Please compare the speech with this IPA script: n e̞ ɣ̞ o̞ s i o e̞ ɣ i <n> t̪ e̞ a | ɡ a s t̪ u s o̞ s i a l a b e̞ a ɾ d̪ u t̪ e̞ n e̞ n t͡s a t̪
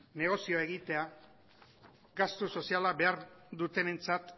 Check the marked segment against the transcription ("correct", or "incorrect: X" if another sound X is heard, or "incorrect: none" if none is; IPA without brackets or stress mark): incorrect: none